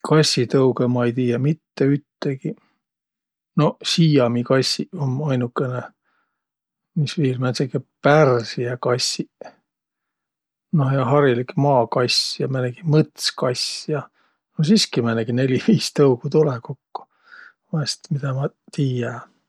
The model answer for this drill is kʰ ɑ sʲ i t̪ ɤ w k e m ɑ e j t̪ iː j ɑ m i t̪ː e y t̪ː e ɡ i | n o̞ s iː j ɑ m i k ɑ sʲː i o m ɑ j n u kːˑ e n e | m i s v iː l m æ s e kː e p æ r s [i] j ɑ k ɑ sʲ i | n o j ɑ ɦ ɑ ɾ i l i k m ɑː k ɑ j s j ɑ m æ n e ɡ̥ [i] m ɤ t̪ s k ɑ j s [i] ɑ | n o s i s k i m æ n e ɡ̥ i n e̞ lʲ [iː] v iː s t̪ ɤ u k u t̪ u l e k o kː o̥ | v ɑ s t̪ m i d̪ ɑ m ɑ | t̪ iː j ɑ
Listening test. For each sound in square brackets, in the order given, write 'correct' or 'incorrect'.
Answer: correct, correct, incorrect: j, incorrect: i

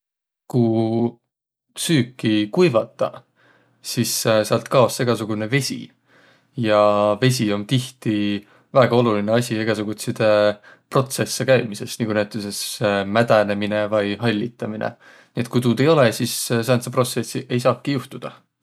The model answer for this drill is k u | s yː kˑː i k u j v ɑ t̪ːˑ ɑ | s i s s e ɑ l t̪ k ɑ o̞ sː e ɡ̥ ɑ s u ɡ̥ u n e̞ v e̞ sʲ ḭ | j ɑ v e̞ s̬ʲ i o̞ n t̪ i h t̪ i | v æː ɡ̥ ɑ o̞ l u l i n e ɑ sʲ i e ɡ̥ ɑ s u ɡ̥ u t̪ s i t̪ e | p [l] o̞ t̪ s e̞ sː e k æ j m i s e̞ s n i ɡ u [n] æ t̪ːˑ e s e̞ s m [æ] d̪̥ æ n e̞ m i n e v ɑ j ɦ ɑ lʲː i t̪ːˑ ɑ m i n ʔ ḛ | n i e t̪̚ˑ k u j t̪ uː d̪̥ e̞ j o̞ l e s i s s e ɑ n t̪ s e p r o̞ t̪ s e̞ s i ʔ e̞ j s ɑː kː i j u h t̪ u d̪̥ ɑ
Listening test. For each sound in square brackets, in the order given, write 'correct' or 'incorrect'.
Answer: incorrect: r, correct, correct

